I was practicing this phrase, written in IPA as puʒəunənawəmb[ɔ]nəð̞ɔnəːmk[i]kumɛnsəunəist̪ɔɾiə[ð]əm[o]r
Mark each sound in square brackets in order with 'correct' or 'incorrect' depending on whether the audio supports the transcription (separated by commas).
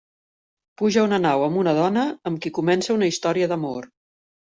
incorrect, correct, correct, correct